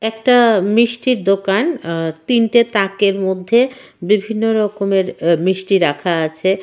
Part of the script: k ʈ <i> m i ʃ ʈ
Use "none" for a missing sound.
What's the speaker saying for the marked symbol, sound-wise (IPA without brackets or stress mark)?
a